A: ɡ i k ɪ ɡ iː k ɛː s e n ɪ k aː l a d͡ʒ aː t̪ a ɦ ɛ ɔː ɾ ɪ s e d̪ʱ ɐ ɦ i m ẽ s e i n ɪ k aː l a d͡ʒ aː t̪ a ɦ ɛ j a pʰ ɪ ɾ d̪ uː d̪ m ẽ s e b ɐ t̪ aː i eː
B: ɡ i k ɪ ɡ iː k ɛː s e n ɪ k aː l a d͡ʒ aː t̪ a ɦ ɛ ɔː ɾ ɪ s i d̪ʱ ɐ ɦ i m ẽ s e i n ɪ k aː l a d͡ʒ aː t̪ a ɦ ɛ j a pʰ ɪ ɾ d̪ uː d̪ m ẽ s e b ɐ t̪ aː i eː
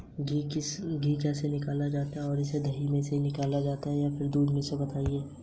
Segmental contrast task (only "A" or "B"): A